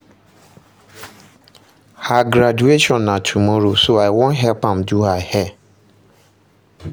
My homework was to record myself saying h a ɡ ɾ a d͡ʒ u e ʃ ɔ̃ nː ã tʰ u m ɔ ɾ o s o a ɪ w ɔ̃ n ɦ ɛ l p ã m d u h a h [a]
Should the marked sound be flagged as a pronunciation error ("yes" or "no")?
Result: yes